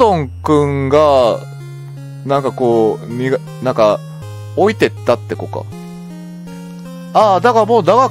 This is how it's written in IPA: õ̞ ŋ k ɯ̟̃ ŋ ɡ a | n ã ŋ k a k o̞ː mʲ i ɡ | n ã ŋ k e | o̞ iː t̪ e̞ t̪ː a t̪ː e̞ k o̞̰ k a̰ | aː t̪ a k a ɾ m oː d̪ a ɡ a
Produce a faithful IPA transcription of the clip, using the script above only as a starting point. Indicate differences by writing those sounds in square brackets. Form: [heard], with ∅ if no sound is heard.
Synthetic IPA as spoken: õ̞ ŋ k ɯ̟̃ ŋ ɡ a | n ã ŋ k a k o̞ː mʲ i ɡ | n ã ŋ k [a] | o̞ [i] t̪ e̞ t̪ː a t̪ː e̞ k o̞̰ k a̰ | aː [d̪] a k a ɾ m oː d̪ a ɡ a